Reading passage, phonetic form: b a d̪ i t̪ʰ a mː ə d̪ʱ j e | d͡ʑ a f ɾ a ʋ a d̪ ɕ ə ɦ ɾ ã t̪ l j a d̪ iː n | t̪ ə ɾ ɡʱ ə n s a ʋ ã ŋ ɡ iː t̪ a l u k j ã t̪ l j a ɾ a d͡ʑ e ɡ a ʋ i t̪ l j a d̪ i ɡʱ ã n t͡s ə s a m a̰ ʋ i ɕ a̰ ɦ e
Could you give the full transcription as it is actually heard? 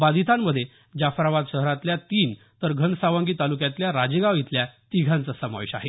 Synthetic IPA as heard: b a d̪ i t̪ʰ a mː ə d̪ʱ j e | d͡ʑ a f ɾ a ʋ a d̪ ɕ ə ɦ ɾ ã t̪ l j a t̪ iː n | t̪ ə ɾ ɡʱ ə n s a ʋ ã ŋ ɡ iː t̪ a l u k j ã t̪ l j a ɾ a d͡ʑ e ɡ a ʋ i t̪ l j a t̪ i ɡʱ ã n t͡s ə s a m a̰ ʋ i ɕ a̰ ɦ e